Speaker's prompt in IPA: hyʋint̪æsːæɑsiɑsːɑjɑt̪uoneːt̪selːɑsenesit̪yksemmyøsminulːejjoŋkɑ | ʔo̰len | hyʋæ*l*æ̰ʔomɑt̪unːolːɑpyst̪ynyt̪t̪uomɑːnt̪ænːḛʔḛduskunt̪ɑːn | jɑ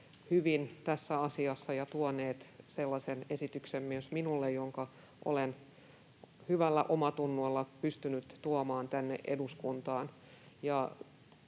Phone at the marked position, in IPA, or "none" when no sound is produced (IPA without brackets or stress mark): lː